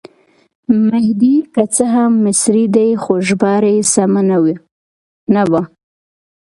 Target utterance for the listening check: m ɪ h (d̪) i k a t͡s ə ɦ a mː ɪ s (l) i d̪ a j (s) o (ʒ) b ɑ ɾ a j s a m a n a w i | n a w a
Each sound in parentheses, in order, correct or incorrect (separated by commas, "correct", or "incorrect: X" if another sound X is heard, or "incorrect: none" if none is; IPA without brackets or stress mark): correct, incorrect: ɾ, incorrect: x, correct